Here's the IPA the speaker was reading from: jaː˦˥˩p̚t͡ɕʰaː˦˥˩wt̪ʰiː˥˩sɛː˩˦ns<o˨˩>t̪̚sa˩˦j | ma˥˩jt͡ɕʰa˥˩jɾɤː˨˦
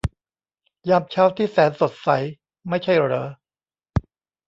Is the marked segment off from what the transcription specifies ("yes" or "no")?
no